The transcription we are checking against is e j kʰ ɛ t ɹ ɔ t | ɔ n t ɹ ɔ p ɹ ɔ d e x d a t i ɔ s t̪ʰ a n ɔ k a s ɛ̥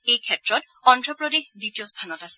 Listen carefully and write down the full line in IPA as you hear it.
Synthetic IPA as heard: e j kʰ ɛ t ɹ ɔ t | ɔ n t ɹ ɔ p ɹ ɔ d e x d i t i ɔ s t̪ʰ a n ɔ t a s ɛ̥